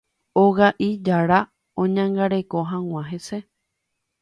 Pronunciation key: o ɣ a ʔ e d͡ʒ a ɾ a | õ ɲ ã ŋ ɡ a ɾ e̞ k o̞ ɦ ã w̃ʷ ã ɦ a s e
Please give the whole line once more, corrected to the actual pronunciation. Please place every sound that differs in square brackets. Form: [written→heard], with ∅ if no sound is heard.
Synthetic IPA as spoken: o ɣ a ʔ [e→i] d͡ʒ a ɾ a | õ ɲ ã ŋ ɡ a ɾ e̞ k o̞ ɦ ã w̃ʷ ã ɦ [a→e] s e